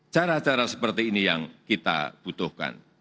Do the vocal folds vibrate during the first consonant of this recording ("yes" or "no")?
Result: no